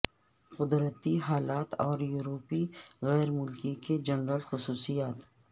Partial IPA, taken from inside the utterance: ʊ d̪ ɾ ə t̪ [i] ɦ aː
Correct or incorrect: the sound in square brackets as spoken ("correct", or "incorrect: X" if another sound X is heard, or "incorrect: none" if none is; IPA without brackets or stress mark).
correct